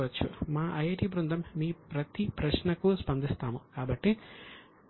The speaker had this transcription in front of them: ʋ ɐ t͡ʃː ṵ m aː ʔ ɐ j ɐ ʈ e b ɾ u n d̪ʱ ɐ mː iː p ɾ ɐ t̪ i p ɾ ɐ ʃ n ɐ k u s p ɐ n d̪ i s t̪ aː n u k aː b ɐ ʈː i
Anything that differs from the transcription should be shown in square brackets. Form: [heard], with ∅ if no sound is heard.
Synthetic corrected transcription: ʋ ɐ t͡ʃː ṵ m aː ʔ ɐ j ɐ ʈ [i] b ɾ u n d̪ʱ ɐ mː iː p ɾ ɐ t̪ i p ɾ ɐ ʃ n ɐ k u s p ɐ n d̪ i s t̪ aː [m] u k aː b ɐ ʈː i